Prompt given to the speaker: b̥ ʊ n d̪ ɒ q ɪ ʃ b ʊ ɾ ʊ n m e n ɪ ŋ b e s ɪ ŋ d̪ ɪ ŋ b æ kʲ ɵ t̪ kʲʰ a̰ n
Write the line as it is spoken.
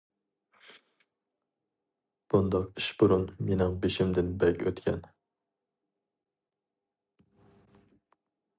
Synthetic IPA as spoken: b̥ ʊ n d̪ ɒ q ɪ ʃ b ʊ ɾ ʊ n m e n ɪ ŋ b e ʃ ɪ m d̪ ɪ n b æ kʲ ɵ t̪ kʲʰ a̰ n

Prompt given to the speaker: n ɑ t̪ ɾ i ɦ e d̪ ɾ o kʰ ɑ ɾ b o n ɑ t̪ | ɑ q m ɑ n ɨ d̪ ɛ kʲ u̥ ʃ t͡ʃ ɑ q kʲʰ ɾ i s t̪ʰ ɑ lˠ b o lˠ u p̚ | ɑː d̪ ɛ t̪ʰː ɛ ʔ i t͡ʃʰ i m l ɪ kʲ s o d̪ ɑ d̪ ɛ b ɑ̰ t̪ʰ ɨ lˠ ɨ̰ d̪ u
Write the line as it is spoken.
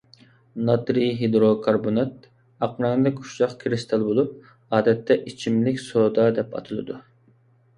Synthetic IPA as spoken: n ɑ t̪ ɾ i ɦ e d̪ ɾ o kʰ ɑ ɾ b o n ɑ t̪ | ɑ q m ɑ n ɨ d̪ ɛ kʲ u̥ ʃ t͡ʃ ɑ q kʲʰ ɾ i s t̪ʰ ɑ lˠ b o lˠ u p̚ | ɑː d̪ ɛ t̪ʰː ɛ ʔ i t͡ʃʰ i m l ɪ kʲ s o d̪ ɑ d̪ ɛ p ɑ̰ t̪ʰ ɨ lˠ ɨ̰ d̪ u

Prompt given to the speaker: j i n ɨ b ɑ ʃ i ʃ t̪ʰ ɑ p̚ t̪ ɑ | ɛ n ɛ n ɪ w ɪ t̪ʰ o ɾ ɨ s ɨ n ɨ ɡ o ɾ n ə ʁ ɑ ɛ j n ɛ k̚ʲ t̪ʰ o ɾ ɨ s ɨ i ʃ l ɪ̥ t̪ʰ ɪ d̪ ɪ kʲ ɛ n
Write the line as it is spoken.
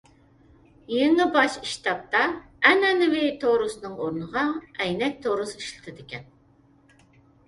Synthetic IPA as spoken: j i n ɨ b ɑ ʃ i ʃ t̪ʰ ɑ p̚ t̪ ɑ | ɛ n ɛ n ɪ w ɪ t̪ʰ o ɾ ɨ s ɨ n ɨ ŋ o ɾ n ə ʁ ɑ ɛ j n ɛ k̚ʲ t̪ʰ o ɾ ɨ s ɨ i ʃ l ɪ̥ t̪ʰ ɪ d̪ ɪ kʲ ɛ n

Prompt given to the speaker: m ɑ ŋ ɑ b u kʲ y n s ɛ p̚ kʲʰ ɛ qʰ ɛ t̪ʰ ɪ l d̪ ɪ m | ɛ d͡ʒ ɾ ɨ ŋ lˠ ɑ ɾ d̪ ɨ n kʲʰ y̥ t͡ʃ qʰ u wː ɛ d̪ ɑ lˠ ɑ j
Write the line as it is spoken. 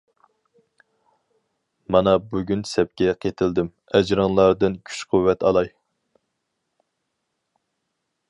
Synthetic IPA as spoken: m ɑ n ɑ b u ɡʲ y n s ɛ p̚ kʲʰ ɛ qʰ e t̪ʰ ɪ l d̪ ɪ m | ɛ d͡ʒ ɾ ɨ ŋ lˠ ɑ ɾ d̪ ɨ n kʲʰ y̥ t͡ʃ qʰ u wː ɛ t̪ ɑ lˠ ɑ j

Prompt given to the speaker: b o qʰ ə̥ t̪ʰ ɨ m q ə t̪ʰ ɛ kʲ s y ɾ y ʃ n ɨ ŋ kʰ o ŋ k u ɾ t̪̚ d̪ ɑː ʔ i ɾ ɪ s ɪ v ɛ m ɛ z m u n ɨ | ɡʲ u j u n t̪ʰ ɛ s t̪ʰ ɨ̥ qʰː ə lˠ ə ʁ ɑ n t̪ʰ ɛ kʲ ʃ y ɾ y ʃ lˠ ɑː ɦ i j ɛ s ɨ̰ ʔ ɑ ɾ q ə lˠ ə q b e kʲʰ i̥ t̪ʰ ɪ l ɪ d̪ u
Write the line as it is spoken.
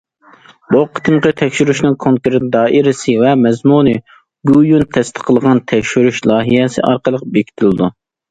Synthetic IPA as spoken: b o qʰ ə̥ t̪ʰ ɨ m q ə t̪ʰ ɛ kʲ ʃ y ɾ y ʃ n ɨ ŋ kʰ o ŋ k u ɾ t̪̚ d̪ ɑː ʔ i ɾ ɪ s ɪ v ɛ m ɛ z m u n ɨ | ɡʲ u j u n t̪ʰ ɛ s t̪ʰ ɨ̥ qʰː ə lˠ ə ʁ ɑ n t̪ʰ ɛ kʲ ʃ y ɾ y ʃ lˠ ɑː ɦ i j ɛ s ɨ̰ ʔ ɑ ɾ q ə lˠ ə q b e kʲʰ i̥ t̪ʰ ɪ l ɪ d̪ u

